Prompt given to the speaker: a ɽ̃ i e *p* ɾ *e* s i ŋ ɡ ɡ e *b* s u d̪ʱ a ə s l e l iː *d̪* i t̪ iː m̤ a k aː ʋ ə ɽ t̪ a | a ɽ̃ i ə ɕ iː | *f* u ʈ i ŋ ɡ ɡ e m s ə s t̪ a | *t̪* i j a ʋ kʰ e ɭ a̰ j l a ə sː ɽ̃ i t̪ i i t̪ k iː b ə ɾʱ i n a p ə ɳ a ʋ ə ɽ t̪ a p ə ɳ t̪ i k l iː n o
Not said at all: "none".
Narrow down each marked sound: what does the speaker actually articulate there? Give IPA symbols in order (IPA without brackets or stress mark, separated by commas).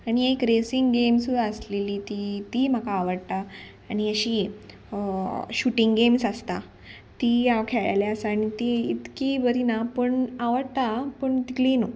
k, e, m, t̪, ɕ, t̪